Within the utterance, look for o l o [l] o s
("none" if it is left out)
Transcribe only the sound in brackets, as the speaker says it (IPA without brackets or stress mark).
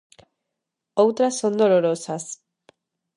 ɾ